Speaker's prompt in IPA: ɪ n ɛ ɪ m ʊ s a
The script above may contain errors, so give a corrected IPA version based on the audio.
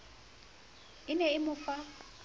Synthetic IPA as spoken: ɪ n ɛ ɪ m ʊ f a